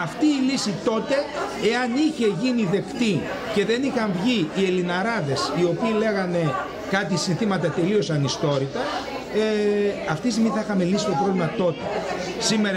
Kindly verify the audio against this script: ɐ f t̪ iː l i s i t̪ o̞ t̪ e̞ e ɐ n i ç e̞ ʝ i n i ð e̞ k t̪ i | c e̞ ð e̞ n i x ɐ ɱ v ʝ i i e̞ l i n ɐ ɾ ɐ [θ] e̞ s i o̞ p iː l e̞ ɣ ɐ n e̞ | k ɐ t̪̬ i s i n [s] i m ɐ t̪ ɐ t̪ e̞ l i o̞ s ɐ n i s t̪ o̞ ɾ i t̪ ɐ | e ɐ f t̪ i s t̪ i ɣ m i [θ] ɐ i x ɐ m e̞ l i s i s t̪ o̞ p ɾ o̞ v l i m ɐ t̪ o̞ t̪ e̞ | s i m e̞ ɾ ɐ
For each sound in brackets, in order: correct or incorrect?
incorrect, incorrect, correct

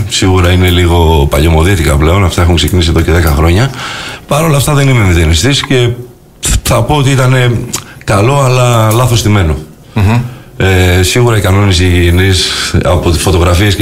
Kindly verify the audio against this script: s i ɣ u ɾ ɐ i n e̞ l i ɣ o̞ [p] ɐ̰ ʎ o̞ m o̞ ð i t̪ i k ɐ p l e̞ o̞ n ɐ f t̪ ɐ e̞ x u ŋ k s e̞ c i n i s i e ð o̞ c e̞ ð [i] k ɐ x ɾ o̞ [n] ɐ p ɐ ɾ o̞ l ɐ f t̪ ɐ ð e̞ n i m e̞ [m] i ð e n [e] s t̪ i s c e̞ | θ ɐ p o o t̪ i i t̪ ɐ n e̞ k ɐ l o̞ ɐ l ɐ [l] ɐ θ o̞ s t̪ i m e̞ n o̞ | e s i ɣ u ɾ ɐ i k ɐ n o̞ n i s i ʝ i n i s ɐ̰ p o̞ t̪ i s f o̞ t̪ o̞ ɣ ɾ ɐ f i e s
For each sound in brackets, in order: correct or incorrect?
correct, incorrect, incorrect, correct, incorrect, correct

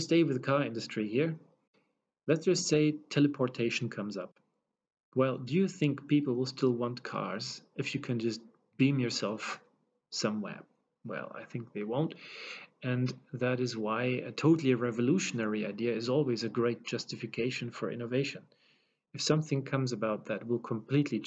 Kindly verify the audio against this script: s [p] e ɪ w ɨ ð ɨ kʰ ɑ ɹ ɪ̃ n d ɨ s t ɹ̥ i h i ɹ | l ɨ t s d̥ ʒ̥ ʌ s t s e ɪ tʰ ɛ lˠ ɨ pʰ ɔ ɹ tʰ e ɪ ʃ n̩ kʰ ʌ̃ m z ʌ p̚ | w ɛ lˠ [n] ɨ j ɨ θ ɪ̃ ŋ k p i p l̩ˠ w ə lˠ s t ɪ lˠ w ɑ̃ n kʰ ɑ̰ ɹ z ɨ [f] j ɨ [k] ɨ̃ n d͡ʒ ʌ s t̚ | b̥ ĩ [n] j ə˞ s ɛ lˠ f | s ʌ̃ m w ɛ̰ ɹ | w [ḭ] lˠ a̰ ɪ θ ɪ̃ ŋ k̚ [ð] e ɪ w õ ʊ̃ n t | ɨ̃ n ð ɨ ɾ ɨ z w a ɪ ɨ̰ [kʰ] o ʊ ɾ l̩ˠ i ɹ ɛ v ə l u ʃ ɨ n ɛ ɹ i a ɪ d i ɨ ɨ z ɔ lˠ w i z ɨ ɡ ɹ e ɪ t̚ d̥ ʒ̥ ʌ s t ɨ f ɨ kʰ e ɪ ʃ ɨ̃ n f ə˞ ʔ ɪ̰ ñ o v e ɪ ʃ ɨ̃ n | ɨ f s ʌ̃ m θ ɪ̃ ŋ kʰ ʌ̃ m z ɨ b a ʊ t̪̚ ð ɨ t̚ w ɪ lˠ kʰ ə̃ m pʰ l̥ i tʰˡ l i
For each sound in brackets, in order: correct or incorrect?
incorrect, incorrect, correct, incorrect, incorrect, incorrect, correct, incorrect

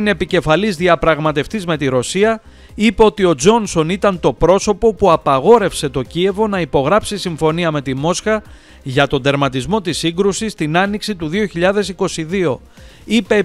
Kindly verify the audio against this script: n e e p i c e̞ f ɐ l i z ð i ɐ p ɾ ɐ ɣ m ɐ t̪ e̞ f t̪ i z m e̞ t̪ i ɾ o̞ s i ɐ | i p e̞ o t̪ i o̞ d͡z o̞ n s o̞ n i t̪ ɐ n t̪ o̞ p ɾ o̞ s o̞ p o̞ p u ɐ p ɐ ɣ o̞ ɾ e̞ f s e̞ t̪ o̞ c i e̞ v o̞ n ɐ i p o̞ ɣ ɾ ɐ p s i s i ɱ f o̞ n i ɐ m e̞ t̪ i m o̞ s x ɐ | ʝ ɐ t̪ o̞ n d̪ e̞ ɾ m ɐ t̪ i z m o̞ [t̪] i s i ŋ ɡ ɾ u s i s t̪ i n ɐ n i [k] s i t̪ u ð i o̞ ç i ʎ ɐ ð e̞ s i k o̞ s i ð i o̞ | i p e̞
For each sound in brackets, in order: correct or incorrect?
correct, correct

